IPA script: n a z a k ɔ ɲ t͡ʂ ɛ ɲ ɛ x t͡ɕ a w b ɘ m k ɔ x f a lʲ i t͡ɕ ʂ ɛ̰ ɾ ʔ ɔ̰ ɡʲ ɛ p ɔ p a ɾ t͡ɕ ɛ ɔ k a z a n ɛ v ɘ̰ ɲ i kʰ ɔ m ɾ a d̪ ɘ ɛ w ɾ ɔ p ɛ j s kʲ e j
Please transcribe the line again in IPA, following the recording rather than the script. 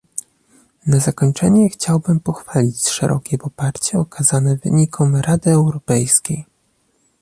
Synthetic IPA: n a z a k ɔ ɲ t͡ʂ ɛ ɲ ɛ x t͡ɕ a w b ɘ m p ɔ x f a lʲ i t͡ɕ ʂ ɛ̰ ɾ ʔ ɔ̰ kʲ ɛ p ɔ p a ɾ t͡ɕ ɛ ɔ k a z a n ɛ v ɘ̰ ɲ i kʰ ɔ m ɾ a d̪ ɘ ɛ w ɾ ɔ p ɛ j s kʲ e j